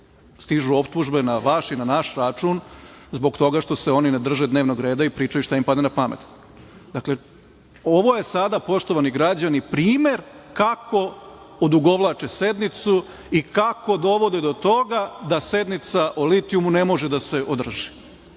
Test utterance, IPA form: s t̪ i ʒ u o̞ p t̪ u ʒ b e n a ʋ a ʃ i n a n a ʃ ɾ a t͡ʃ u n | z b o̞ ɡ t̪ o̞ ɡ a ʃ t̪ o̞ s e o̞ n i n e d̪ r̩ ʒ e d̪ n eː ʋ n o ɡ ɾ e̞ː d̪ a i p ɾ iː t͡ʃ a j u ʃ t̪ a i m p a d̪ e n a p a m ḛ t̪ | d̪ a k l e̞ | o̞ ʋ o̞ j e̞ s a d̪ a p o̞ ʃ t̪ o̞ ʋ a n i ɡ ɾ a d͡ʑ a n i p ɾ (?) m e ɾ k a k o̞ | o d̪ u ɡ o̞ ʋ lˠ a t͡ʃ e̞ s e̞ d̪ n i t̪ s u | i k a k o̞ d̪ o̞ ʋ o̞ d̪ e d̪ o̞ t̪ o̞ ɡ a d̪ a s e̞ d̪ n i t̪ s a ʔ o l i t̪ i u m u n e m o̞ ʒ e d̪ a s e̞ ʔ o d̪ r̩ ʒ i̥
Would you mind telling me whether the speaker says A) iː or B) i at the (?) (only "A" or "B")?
A